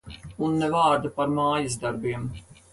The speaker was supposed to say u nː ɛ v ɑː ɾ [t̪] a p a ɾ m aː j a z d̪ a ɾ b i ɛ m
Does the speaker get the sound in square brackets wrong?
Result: yes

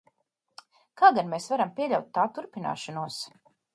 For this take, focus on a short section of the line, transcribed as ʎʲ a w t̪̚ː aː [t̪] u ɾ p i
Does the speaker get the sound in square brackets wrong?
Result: no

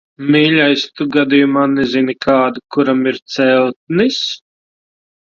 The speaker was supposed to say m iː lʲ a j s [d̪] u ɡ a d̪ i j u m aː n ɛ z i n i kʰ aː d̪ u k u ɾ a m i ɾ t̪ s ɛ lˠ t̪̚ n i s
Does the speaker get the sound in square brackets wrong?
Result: yes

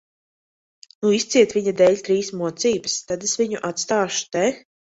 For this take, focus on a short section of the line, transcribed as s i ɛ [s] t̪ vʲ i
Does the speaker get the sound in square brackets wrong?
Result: yes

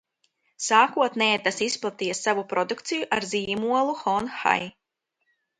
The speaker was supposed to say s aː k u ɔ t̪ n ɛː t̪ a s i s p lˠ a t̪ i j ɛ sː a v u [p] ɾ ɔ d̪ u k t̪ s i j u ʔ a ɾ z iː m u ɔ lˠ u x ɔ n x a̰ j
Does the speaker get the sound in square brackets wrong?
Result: no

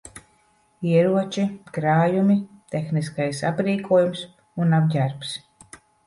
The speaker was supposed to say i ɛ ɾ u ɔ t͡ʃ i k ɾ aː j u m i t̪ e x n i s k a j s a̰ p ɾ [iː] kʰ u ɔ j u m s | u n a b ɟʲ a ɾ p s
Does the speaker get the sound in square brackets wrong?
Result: no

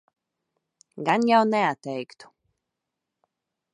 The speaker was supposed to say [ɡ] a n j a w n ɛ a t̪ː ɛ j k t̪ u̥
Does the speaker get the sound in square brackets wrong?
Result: no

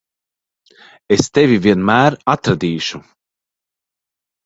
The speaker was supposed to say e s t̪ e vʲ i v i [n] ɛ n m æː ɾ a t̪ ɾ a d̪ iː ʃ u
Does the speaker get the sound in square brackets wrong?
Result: yes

